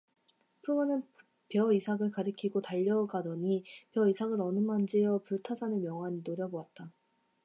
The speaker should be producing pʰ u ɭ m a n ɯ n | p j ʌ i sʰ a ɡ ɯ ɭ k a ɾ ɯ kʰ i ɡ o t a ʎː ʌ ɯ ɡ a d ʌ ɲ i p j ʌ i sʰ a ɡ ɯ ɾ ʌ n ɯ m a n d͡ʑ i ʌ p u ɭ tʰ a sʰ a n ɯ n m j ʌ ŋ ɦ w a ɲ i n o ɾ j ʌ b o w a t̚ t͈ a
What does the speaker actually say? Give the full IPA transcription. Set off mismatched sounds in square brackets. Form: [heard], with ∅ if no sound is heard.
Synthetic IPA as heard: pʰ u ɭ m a n ɯ n | p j ʌ i sʰ a ɡ ɯ ɭ k a ɾ ɯ kʰ i ɡ o t a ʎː ʌ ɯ ɡ a d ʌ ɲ i p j ʌ i sʰ a ɡ ɯ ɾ ʌ n ɯ m a n d͡ʑ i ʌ p u ɭ tʰ a sʰ a n ɯ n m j ʌ ŋ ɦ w a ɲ i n o ɾ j ʌ b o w a t̚ t͈ a